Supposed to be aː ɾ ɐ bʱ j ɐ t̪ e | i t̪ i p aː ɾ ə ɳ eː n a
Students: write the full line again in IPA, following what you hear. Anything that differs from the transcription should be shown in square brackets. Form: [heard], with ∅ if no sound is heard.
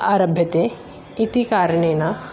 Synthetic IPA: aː ɾ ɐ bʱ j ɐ t̪ e | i t̪ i [k] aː ɾ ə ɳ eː n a